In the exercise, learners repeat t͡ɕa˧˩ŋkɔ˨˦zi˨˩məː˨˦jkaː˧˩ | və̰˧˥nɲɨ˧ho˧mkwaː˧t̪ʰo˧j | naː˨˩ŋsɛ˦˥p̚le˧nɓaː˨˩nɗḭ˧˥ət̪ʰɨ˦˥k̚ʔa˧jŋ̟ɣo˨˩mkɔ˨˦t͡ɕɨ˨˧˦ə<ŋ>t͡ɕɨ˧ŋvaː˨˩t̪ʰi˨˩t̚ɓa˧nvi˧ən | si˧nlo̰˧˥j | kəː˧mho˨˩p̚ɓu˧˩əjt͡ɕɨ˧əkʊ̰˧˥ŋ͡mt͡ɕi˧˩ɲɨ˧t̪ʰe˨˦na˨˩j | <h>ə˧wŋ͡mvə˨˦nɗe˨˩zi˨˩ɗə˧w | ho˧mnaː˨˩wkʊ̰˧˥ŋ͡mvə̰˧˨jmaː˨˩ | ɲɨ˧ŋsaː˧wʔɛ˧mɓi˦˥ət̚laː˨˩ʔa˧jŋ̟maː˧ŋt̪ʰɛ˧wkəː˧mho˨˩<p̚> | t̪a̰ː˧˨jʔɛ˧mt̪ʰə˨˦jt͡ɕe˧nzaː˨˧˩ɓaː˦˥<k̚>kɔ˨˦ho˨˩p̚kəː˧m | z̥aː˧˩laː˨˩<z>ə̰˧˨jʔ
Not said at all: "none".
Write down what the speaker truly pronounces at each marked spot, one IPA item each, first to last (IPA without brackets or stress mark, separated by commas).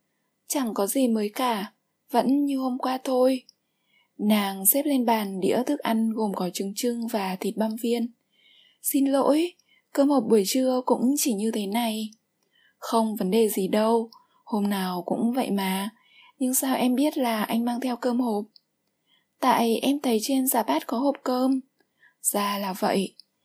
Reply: ŋ, x, p̚, t̚, v